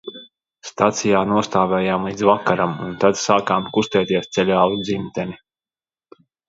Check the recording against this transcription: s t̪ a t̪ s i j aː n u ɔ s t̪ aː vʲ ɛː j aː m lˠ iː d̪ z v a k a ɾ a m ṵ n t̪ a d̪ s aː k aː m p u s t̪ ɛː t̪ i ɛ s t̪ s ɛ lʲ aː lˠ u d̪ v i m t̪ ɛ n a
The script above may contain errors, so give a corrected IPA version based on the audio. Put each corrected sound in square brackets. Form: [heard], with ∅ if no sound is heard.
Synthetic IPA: s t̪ a t̪ s i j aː n u ɔ s t̪ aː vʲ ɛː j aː m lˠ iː d̪ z v a k a ɾ a m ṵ n t̪ a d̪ s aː k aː m [k] u s t̪ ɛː t̪ i ɛ s t̪ s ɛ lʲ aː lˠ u d̪ [z] i m t̪ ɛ n [i]